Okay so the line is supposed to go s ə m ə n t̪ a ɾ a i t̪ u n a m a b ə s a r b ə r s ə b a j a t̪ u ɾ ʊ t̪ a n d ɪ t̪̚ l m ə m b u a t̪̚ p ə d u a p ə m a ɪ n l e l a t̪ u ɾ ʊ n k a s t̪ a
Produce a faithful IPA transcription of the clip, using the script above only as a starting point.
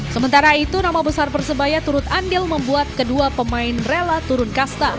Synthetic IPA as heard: s ə m ə n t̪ a ɾ a i t̪ u n a m a b ə s a r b ə r s ə b a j a t̪ u ɾ ʊ t̪ a n d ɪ l m ə m b u a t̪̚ k ə d u a p ə m a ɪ n r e l a t̪ u ɾ ʊ n k a s t̪ a